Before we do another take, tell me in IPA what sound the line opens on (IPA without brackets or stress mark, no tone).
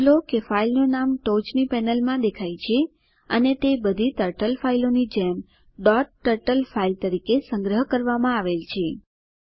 l